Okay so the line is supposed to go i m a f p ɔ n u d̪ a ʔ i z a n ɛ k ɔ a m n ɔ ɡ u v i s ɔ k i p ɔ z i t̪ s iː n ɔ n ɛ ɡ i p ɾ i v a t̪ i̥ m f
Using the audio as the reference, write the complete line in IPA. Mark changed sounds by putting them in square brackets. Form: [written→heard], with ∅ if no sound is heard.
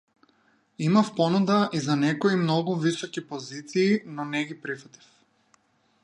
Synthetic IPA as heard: i m a f p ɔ n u d̪ a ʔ i z a n ɛ k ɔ [a→i] m n ɔ ɡ u v i s ɔ k i p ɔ z i t̪ s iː n ɔ n ɛ ɡ i p ɾ i [v→f] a t̪ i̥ [m→∅] f